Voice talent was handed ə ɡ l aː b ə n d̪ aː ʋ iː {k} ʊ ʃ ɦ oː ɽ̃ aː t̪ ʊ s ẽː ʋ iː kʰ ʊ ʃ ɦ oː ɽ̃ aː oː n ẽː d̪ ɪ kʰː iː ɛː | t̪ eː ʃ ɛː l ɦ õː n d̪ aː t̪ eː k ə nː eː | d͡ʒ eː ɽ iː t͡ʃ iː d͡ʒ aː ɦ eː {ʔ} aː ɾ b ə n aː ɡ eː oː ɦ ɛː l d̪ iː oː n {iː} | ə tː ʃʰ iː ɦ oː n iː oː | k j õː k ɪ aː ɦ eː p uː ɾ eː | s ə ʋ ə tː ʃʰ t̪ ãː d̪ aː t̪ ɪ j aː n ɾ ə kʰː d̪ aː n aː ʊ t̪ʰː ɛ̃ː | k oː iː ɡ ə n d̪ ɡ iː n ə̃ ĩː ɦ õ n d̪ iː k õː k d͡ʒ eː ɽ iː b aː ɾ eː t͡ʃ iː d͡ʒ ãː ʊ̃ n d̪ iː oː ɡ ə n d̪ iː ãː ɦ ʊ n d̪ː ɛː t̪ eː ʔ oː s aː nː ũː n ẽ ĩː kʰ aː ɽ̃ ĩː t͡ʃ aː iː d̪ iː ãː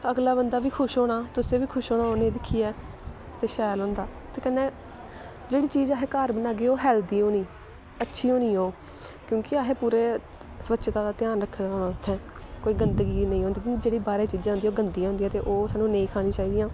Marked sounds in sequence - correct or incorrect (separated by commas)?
incorrect, incorrect, correct